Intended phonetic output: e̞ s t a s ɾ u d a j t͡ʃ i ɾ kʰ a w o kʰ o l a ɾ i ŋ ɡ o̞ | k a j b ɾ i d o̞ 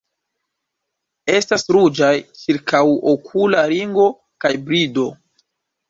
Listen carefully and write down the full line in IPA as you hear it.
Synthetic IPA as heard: e̞ s t a s ɾ u d͡ʒ a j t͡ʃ i ɾ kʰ a w o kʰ u l a ɾ i ŋ ɡ o̞ | k a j b ɾ i d o̞